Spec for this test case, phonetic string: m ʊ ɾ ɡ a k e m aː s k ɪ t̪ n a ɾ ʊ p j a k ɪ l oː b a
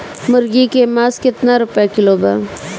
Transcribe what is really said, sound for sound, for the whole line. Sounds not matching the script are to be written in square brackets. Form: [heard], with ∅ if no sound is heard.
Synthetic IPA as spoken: m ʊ ɾ ɡ [i] k e m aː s k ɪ t̪ n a ɾ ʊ p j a k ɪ l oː b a